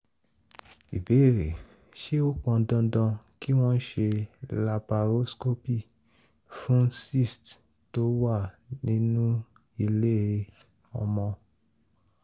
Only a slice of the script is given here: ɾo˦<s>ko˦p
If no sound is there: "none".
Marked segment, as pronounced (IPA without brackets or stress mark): s